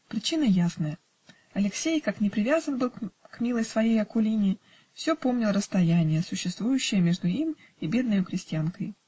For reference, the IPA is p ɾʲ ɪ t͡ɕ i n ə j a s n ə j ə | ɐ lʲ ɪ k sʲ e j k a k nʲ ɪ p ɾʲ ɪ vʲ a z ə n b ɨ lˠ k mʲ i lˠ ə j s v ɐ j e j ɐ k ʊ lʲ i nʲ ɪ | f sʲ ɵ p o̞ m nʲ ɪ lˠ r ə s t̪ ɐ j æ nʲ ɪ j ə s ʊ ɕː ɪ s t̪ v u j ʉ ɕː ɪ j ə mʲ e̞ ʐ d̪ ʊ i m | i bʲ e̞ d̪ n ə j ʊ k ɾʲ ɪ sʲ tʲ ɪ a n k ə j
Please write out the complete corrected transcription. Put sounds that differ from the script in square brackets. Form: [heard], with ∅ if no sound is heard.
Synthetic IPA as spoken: p ɾʲ ɪ t͡ɕ i n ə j a s n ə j ə | ɐ lʲ ɪ k sʲ e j k a k nʲ ɪ p ɾʲ ɪ vʲ a z ə n b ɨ lˠ k mʲ i lˠ ə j s v ɐ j e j ɐ k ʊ lʲ i nʲ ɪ | f sʲ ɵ p o̞ m nʲ ɪ lˠ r ə s t̪ ɐ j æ nʲ ɪ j ə s ʊ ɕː ɪ s t̪ v u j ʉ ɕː ɪ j ə mʲ e̞ ʐ d̪ ʊ i m | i bʲ e̞ d̪ n ə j ʊ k ɾʲ ɪ sʲ tʲ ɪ a n k ə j